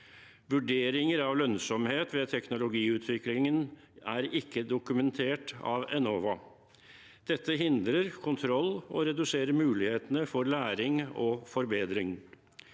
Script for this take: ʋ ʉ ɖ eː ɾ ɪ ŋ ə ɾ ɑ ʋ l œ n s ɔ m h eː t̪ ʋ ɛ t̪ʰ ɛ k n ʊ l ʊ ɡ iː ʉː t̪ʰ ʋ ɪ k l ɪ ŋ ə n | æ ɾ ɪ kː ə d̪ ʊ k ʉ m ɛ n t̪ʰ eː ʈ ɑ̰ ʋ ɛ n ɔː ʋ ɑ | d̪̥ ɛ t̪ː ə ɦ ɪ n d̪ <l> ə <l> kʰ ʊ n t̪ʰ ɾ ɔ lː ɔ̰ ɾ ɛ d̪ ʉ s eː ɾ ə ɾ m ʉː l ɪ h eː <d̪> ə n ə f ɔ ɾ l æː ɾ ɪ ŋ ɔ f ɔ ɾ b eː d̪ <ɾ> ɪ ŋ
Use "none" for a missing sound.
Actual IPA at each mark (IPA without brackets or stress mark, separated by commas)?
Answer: ɾ, ɾ, t̪, ɾ